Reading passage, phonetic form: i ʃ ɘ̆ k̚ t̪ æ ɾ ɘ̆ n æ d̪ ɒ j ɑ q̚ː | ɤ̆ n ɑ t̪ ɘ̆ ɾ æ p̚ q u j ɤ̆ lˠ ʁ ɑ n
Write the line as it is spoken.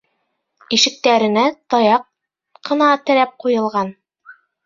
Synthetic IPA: i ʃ ɘ̆ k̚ t̪ æ ɾ ɘ̆ n æ t̪ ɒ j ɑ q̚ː | ɤ̆ n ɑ t̪ ɘ̆ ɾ æ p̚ q u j ɤ̆ lˠ ʁ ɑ n